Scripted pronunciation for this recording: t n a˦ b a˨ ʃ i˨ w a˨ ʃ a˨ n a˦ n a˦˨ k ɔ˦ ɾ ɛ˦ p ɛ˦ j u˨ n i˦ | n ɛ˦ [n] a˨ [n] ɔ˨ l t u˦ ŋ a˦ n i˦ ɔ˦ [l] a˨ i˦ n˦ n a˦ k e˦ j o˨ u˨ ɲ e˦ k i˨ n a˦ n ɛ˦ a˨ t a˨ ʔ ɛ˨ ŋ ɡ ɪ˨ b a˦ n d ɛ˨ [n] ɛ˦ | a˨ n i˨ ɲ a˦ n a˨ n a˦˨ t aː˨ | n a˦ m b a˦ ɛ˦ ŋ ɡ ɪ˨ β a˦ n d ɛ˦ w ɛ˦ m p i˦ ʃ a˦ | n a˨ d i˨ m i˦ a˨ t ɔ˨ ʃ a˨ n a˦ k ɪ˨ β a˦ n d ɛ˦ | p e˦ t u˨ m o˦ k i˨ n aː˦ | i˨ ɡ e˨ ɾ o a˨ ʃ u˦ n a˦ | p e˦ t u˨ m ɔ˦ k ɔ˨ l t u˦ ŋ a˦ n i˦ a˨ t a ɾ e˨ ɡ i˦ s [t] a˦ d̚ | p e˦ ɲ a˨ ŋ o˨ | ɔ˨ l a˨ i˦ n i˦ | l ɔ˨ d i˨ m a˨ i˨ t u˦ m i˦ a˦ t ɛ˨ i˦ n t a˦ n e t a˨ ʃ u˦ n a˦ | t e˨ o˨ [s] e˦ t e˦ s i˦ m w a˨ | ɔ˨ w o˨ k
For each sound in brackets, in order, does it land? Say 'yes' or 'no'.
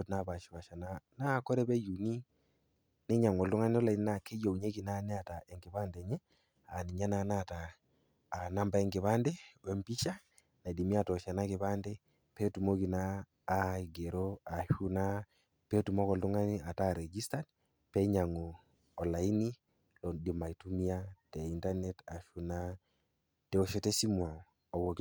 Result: no, no, yes, no, yes, no

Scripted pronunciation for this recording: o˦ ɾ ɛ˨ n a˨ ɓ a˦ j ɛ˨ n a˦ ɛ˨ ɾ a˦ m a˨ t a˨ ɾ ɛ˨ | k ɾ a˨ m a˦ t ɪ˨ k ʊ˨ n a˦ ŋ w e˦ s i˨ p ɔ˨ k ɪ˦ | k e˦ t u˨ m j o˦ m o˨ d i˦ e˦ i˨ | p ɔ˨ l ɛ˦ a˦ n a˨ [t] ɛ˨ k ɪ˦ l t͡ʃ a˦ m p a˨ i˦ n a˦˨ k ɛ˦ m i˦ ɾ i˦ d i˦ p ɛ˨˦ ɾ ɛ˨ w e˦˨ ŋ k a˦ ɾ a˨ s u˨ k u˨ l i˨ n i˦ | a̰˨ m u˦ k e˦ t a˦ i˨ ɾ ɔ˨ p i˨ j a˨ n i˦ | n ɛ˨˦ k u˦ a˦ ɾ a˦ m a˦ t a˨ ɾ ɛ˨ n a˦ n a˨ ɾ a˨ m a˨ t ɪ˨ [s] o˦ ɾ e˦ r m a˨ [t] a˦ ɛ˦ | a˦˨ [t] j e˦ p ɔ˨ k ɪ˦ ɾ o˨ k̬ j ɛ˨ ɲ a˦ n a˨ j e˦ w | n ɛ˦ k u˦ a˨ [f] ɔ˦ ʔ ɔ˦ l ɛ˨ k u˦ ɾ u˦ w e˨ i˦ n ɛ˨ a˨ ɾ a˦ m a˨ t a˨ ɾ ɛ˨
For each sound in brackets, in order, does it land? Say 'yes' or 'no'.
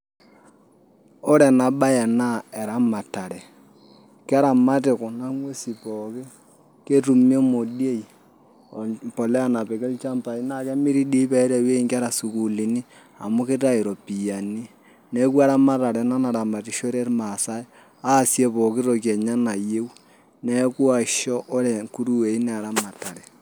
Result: no, no, no, no, no

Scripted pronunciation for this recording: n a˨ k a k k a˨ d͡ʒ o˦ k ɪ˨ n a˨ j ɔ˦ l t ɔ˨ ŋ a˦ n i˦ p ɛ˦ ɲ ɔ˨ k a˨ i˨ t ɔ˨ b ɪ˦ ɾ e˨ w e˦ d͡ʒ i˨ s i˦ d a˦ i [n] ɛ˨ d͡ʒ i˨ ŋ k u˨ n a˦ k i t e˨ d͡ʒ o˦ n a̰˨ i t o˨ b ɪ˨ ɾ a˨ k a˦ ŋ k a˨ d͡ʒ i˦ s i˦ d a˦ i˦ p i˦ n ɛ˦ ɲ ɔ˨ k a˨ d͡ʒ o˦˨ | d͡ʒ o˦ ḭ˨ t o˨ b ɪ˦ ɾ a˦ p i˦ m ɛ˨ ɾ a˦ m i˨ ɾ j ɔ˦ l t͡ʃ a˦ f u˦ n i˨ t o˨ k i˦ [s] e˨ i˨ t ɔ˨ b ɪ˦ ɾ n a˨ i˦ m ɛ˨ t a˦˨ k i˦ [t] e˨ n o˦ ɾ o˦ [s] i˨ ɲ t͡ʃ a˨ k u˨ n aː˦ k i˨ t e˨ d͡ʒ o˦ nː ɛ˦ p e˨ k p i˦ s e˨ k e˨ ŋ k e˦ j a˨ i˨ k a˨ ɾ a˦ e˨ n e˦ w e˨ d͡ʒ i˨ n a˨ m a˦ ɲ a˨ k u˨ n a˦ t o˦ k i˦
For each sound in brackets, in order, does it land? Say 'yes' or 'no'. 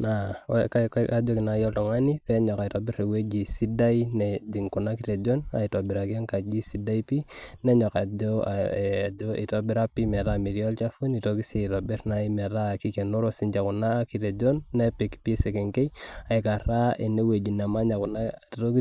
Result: yes, yes, no, yes

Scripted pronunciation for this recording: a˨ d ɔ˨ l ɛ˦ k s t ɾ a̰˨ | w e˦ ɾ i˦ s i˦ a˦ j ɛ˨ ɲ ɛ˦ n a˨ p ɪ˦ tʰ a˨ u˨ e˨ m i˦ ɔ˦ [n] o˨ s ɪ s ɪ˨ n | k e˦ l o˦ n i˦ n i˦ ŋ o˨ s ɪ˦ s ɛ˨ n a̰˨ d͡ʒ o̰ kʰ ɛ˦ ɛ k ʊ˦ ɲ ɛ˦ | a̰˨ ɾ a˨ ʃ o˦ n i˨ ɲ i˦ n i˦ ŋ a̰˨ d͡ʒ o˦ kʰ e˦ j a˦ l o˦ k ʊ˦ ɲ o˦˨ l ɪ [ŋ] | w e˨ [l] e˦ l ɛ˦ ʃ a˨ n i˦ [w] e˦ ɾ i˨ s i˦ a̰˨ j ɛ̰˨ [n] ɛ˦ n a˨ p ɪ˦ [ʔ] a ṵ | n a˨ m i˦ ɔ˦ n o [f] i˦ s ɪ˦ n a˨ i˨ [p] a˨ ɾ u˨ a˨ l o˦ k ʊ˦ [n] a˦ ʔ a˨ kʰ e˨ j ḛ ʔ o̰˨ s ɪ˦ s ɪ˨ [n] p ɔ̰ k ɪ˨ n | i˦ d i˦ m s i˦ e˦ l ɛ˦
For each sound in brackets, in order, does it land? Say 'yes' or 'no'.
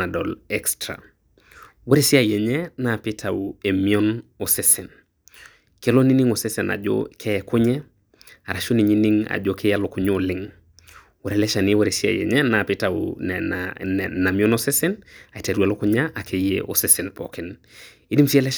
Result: yes, yes, no, yes, no, no, no, no, no, yes

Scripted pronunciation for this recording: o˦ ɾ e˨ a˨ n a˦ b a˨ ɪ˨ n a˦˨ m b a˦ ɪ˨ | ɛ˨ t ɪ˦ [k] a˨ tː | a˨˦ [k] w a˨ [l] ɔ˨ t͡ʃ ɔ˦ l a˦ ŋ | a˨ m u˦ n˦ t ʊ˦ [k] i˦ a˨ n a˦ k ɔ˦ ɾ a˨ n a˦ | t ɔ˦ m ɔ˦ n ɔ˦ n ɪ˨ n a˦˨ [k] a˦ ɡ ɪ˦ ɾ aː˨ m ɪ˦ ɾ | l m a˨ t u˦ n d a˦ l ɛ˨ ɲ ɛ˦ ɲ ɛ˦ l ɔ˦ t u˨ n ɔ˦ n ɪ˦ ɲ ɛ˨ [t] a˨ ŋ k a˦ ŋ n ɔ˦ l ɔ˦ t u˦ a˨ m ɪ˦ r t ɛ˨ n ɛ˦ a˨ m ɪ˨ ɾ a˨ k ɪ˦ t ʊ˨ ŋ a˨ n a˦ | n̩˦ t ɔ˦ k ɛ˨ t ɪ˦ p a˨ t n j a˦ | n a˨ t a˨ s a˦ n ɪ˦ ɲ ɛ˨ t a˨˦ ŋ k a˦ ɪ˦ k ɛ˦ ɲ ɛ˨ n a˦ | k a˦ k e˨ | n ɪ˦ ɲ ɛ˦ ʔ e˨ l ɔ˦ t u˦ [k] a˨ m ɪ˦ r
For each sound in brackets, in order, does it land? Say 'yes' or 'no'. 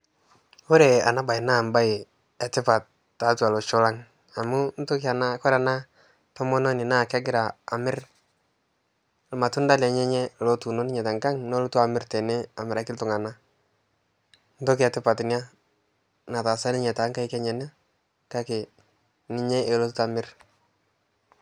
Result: no, no, yes, yes, yes, yes, no

